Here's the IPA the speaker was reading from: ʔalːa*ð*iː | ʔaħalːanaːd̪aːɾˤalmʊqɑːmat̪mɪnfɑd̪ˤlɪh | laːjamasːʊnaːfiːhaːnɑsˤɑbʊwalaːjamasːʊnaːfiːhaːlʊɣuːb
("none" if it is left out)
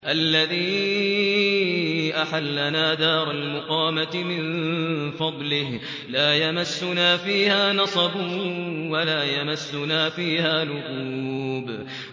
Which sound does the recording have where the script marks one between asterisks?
ð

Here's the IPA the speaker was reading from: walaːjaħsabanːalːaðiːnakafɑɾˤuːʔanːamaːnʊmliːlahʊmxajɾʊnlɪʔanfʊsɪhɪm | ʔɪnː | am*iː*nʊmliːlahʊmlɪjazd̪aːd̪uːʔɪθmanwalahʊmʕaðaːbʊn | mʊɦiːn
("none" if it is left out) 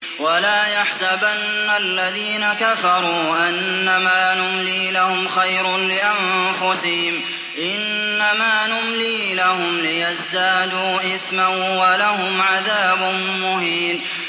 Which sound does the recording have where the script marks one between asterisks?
aː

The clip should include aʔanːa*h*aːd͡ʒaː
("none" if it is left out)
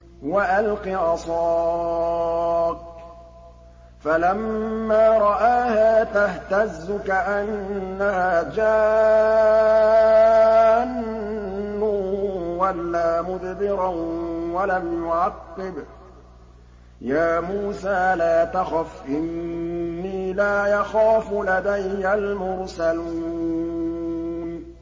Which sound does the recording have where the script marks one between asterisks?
h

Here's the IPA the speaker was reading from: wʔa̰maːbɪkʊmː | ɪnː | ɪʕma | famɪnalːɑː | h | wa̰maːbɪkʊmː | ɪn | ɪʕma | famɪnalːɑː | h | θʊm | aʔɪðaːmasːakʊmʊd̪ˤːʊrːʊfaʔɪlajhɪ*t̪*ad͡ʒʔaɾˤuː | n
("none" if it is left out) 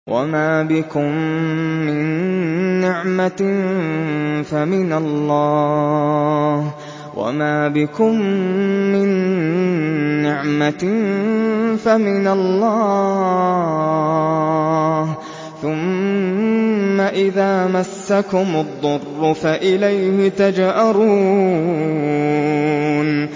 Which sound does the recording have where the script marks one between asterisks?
t̪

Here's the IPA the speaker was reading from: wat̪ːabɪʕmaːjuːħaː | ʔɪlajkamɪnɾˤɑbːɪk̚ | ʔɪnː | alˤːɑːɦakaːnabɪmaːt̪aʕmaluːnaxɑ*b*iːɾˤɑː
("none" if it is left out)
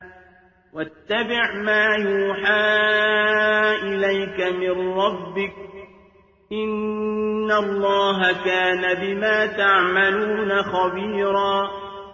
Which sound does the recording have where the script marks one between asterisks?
b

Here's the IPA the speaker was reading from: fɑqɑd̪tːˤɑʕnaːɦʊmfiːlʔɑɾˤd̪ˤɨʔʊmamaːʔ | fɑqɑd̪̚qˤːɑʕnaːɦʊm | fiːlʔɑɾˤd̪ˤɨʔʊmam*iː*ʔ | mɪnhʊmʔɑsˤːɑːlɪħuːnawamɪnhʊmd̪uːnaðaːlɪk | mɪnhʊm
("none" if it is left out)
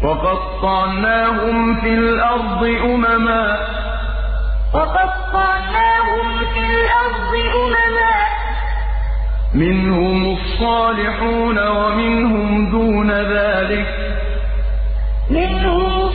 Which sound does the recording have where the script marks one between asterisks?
aː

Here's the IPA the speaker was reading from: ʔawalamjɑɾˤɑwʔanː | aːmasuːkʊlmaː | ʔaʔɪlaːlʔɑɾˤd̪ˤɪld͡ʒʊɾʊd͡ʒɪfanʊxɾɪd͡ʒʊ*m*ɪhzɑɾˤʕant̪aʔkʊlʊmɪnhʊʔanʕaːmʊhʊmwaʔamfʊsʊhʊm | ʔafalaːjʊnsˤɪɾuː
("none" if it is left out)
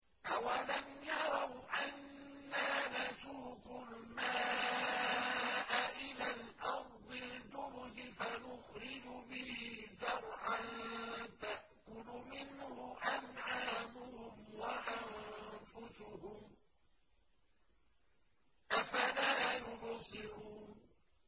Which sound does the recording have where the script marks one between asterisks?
b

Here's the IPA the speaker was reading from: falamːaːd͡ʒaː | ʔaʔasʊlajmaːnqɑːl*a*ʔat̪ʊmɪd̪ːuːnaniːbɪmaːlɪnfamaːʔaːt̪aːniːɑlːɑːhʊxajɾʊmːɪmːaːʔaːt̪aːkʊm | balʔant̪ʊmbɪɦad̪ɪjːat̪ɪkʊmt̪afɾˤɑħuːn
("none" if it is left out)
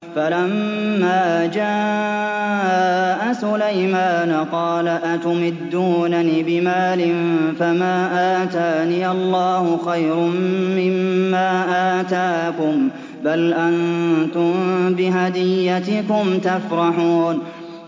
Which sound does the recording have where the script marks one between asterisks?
a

